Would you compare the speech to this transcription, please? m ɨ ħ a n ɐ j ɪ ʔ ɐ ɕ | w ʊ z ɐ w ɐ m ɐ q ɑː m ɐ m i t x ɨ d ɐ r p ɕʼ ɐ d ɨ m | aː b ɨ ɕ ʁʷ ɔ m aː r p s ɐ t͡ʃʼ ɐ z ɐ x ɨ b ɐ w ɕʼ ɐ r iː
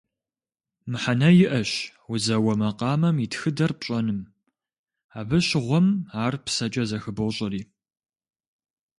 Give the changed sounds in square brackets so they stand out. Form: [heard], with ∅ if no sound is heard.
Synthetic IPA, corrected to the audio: m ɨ ħ a n ɐ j ɪ ʔ ɐ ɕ | w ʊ z ɐ w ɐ m ɐ q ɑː m ɐ m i t x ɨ d ɐ r p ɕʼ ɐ [n] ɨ m | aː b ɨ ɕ ʁʷ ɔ m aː r p s ɐ t͡ʃʼ ɐ z ɐ x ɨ b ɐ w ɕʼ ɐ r iː